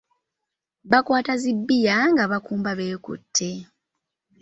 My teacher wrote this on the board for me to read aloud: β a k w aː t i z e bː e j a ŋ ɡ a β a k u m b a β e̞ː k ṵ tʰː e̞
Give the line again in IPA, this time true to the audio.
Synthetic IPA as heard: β a k w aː t a z i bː i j a ŋ ɡ a β a k uː m b a β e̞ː k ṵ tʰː e̞